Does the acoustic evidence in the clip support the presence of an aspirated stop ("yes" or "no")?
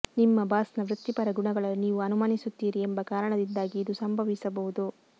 no